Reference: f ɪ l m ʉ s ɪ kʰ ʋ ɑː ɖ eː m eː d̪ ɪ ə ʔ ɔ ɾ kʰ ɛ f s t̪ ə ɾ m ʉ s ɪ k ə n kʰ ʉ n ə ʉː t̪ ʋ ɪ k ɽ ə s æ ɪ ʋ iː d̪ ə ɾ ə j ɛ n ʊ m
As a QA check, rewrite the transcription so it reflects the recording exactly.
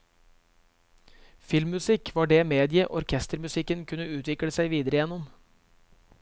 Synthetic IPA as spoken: f ɪ l m ʉ s ɪ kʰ ʋ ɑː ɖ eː m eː d̪ ɪ ə ʔ ɔ ɾ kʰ ɛ s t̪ ə ɾ m ʉ s ɪ k ə n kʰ ʉ n ə ʉː t̪ ʋ ɪ k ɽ ə s æ ɪ ʋ iː d̪ ə ɾ ə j ɛ n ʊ m